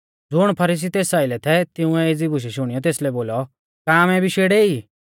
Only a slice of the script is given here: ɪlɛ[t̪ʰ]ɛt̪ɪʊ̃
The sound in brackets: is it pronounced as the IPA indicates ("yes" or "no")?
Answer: yes